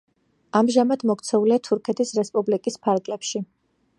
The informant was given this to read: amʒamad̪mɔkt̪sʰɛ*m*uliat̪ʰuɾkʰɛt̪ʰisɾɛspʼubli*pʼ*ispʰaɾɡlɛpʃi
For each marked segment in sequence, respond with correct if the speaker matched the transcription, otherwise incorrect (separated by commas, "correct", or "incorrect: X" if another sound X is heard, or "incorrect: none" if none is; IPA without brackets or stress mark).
incorrect: none, incorrect: kʼ